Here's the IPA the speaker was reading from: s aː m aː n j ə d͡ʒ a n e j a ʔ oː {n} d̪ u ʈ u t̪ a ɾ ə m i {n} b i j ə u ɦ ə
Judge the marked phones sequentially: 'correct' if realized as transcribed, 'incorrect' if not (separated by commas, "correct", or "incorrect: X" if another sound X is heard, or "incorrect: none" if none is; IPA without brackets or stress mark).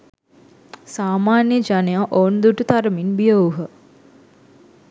correct, correct